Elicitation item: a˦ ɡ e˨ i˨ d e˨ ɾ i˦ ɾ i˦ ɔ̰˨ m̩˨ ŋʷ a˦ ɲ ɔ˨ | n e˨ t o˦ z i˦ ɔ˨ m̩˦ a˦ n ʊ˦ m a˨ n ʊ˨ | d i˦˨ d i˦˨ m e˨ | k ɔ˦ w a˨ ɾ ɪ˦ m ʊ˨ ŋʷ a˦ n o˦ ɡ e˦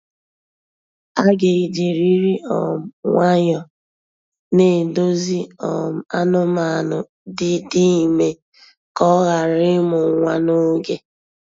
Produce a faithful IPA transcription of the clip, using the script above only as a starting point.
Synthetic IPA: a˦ ɡ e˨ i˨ d͡ʒ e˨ ɾ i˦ ɾ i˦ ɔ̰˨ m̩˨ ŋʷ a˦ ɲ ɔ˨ | n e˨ d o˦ z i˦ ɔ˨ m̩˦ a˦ n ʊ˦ m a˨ n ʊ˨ | d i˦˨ d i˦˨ m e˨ | k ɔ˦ ɣ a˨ ɾ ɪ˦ m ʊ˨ ŋʷ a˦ n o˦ ɡ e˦